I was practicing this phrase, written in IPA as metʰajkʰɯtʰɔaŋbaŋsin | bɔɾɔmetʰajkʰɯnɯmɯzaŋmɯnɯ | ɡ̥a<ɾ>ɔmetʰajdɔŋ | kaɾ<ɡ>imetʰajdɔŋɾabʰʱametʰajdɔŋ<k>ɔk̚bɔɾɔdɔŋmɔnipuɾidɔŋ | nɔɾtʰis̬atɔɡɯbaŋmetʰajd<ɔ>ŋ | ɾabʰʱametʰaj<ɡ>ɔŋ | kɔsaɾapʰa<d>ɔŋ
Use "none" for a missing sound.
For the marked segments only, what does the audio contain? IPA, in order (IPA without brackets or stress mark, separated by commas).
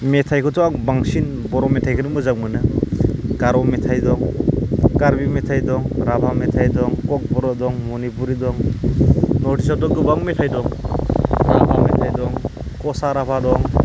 ɾ, b, k, ɔ, d, d